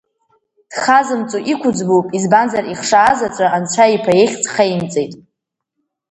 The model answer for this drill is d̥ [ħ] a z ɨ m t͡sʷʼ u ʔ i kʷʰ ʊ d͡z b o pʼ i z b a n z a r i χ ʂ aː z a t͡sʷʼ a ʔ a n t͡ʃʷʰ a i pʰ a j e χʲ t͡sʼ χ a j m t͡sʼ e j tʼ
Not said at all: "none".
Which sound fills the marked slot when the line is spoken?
χ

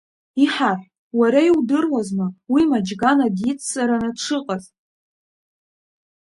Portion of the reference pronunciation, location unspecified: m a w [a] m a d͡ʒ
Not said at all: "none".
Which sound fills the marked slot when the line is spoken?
i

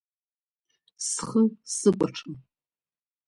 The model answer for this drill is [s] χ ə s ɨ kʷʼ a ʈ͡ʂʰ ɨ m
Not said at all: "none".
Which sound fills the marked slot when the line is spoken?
s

